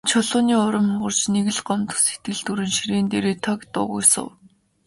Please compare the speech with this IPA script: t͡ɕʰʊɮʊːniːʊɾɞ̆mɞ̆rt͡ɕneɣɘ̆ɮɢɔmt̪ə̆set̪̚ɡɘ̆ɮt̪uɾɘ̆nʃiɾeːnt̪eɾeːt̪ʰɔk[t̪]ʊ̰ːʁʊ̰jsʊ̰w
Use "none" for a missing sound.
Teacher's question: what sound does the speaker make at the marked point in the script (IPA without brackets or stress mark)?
t̪